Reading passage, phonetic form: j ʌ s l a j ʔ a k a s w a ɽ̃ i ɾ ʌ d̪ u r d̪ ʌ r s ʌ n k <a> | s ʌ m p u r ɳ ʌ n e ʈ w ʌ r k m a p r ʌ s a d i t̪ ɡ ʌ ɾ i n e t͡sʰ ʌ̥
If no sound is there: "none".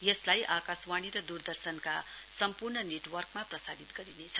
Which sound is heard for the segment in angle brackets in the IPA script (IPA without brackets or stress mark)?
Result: a